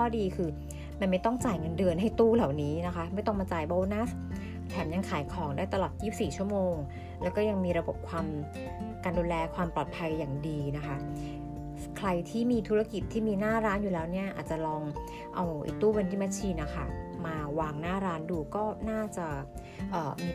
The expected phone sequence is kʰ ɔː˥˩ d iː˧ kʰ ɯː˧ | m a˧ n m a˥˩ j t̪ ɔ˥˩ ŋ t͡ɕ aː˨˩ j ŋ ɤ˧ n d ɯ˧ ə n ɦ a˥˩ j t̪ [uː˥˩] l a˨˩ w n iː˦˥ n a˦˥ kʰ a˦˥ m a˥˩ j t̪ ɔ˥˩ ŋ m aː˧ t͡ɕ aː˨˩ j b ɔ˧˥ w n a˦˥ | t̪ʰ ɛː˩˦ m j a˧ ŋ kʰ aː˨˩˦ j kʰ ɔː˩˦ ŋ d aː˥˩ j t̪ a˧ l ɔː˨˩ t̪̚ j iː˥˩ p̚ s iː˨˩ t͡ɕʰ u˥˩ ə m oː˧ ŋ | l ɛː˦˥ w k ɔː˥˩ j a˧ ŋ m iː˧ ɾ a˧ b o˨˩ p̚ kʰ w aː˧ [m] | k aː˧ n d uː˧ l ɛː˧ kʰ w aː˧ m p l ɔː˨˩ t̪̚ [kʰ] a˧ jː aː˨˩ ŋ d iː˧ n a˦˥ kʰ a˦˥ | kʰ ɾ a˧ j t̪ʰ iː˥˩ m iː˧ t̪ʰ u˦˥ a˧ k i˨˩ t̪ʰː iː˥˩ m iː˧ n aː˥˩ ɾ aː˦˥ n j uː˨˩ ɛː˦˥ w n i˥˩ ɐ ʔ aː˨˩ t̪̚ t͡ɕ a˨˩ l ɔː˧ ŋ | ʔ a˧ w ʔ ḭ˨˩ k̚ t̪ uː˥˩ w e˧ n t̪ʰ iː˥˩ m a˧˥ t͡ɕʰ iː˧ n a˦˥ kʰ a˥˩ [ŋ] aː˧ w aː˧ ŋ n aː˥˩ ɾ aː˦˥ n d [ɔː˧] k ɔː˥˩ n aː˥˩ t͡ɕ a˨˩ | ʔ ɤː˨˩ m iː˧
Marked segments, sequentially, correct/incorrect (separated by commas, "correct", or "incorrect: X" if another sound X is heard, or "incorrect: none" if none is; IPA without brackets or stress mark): correct, correct, incorrect: pʰ, incorrect: m, incorrect: uː˧